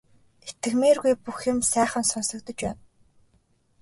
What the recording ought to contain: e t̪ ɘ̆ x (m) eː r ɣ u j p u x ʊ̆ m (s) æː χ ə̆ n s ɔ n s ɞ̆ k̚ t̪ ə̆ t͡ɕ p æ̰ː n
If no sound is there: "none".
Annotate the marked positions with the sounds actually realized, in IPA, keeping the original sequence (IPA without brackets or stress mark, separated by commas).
m, s